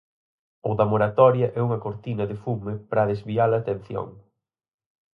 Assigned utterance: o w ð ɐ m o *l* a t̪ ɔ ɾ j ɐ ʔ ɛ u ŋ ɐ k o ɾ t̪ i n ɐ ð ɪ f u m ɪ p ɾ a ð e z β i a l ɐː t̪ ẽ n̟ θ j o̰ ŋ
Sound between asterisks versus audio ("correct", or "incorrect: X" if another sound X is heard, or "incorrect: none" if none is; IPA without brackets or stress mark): incorrect: ɾ